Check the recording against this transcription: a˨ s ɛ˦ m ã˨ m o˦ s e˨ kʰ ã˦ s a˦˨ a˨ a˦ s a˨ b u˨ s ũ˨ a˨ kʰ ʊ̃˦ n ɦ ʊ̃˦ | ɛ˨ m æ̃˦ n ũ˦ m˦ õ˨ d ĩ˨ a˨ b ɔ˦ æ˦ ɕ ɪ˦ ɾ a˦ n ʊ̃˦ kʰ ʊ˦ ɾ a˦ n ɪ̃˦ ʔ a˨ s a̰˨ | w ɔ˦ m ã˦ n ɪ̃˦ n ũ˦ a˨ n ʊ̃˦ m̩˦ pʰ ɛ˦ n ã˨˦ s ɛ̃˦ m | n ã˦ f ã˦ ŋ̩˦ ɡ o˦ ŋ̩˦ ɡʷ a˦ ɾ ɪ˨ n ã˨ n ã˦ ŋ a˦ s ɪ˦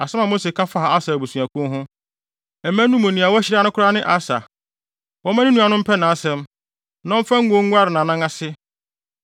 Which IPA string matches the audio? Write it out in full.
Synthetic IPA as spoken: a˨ s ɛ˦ m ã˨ m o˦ s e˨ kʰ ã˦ f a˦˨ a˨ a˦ s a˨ b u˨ s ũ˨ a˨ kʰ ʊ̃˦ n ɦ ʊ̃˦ | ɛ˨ m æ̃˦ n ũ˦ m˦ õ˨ n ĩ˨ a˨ w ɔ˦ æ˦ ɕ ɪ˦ ɾ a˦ n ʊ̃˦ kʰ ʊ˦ ɾ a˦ n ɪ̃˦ ʔ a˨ s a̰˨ | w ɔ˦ m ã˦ n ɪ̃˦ n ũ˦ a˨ n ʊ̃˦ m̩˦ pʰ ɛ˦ n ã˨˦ s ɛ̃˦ m | n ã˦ f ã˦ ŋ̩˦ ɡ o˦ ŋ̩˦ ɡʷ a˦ ɾ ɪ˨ n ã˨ n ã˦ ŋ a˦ s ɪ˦

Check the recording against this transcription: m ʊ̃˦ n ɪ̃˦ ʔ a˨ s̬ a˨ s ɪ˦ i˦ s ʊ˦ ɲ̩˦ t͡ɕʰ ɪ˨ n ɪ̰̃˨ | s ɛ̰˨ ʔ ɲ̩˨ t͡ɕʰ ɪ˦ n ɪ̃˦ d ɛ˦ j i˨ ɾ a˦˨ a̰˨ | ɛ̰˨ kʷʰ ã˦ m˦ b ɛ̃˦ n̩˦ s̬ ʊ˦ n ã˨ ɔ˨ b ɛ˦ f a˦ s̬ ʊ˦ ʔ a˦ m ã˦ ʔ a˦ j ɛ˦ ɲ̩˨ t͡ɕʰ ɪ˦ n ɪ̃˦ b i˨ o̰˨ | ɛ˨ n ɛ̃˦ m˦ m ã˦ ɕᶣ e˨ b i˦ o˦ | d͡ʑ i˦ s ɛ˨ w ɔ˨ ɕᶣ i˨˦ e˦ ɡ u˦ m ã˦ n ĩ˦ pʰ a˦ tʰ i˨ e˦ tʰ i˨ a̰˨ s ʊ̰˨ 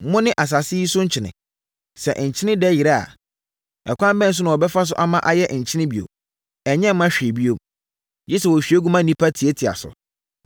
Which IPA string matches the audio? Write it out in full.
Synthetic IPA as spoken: m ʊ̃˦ n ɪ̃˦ ʔ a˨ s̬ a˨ s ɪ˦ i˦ s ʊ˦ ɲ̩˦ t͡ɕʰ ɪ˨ n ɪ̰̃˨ | s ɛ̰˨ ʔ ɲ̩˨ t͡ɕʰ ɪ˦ n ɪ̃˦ d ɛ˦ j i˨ ɾ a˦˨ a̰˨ | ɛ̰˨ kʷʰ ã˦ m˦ b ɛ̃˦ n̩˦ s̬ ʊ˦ n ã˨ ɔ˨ b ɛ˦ f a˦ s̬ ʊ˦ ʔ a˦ m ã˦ ʔ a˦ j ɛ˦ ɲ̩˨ t͡ɕʰ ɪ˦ n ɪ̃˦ b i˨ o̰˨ | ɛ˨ ɲ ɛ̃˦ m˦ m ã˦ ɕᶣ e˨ b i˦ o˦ | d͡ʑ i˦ s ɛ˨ w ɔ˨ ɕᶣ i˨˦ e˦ ɡ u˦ m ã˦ n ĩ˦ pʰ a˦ tʰ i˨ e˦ tʰ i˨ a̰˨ s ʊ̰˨

